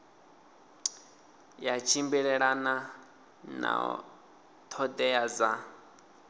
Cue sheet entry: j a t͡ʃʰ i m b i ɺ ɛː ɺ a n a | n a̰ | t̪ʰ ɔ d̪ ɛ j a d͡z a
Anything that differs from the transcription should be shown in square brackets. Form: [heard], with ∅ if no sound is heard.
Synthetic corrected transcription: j a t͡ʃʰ i m b i ɺ [ɛ] ɺ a n a | n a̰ | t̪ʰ ɔ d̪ ɛ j a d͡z a